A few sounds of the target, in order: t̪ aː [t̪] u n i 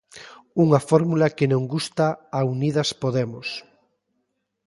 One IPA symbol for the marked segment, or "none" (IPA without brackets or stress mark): none